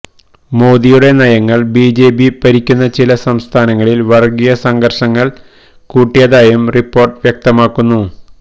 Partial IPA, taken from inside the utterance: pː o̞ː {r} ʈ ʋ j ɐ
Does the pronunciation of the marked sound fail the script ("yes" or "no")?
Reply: no